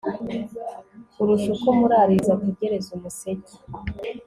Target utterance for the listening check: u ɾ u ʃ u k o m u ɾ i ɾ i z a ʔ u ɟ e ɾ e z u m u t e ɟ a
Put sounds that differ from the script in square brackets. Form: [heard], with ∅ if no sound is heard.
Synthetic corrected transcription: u ɾ u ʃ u k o m u ɾ [a] ɾ i z a [k] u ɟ e ɾ e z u m u [s] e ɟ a